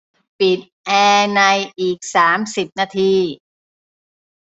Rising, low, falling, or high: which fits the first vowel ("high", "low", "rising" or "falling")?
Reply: low